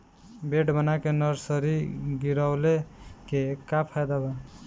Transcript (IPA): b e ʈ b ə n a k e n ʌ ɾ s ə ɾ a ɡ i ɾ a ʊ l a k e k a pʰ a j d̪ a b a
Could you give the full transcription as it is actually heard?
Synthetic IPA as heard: b e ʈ b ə n a k e n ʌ ɾ s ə ɾ i ɡ i ɾ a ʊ l e k e k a pʰ a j d̪ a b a